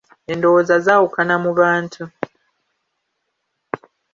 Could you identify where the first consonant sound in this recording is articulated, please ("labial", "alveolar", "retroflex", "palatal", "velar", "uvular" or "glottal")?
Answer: alveolar